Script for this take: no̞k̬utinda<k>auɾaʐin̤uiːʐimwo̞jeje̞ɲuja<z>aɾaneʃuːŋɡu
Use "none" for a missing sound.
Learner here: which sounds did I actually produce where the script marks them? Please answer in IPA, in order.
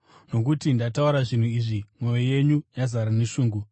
t, z

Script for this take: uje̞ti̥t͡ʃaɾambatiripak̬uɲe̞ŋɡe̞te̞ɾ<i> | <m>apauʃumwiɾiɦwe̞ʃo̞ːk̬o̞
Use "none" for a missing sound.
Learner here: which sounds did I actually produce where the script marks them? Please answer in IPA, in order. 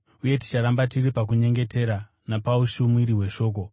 a, n

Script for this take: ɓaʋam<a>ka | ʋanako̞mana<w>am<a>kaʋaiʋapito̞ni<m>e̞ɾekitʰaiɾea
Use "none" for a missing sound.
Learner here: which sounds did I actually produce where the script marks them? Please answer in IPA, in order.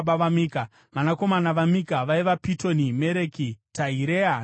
i, ʋ, i, m

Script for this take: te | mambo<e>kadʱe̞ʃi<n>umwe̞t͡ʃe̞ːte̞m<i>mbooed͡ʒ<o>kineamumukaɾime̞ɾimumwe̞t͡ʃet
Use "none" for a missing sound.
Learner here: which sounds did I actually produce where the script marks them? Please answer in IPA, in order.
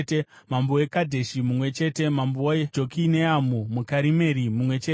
e, m, a, o

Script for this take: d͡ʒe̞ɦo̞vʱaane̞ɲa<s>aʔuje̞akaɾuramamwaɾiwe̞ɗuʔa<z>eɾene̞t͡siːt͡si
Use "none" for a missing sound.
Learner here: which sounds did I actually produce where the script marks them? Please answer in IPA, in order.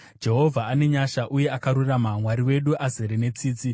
ʃ, z

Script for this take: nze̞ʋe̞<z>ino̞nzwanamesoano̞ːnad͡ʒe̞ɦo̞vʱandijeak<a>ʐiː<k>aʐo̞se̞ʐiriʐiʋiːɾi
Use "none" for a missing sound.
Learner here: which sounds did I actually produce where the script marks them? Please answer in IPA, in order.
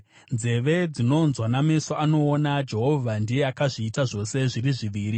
d͡z, a, t

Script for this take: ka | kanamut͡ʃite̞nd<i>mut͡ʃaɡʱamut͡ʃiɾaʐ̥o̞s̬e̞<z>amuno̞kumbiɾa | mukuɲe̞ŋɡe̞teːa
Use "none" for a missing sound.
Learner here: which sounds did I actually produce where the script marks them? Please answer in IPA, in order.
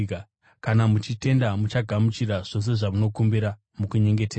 a, ʐ

